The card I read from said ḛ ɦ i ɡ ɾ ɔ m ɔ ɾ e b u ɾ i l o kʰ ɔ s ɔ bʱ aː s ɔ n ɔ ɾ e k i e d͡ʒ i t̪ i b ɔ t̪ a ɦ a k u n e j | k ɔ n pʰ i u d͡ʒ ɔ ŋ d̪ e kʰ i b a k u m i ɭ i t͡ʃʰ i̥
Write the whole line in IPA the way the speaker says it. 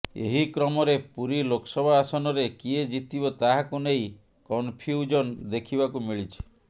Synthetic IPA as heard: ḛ ɦ i k ɾ ɔ m ɔ ɾ e p u ɾ i l o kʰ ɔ s ɔ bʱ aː s ɔ n ɔ ɾ e k i e d͡ʒ i t̪ i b ɔ t̪ a ɦ a k u n e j | k ɔ n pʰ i u d͡ʒ ɔ n d̪ e kʰ i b a k u m i ɭ i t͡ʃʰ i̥